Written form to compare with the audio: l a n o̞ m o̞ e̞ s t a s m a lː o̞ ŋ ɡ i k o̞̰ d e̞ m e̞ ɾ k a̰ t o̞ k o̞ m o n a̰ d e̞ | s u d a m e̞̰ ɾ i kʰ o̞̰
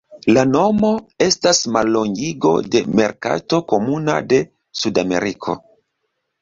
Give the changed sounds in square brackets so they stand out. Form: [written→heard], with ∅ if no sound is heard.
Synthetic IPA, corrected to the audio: l a n o̞ m o̞ e̞ s t a s m a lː o̞ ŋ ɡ i [k→ɡ] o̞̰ d e̞ m e̞ ɾ k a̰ t o̞ k o̞ m [o→u] n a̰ d e̞ | s u d a m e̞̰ ɾ i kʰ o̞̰